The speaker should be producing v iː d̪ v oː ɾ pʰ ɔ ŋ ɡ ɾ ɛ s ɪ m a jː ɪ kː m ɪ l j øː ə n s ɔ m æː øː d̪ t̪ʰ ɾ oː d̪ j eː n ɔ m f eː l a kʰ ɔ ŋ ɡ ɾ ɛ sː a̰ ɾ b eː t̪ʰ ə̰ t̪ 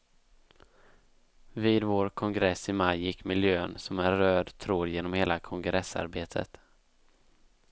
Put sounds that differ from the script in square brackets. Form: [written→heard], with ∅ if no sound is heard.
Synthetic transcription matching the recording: v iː d̪ v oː ɾ [pʰ→kʰ] ɔ ŋ ɡ ɾ ɛ s ɪ m a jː ɪ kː m ɪ l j øː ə n s ɔ m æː øː d̪ t̪ʰ ɾ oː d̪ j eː n ɔ m [f→h] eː l a kʰ ɔ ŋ ɡ ɾ ɛ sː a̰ ɾ b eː t̪ʰ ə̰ t̪